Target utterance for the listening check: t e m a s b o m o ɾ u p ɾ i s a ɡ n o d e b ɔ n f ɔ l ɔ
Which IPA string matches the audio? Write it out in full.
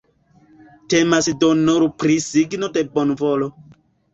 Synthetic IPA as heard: t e m a s d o n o ɾ u p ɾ i s i ɡ n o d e b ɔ n v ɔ l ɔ